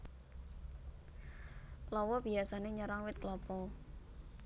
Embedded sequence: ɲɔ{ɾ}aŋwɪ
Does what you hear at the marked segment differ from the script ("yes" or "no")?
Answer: no